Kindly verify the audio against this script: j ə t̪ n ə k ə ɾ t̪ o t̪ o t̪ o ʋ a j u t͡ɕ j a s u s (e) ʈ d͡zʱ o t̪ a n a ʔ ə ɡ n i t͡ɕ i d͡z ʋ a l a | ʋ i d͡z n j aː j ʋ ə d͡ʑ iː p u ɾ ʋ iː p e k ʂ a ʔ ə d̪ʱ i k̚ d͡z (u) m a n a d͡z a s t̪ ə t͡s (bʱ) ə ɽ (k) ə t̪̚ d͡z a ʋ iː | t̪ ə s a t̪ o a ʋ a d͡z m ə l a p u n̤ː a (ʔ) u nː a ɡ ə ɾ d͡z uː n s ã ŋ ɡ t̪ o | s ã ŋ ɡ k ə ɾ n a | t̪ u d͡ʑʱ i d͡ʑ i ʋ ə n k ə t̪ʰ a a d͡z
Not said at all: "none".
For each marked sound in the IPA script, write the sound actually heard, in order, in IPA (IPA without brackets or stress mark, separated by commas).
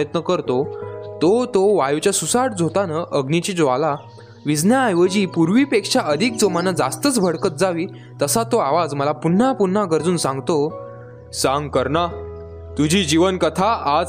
a, o, bʱ, k, p